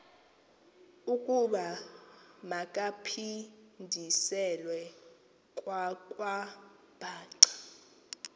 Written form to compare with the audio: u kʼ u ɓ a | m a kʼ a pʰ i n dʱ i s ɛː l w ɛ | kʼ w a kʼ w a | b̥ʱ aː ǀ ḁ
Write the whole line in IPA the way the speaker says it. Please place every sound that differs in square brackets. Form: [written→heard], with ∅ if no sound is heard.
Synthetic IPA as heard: u kʼ u ɓ a | m a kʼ a pʰ i n dʱ i s [ɛː→ɛ] l w ɛ | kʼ w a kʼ w a | b̥ʱ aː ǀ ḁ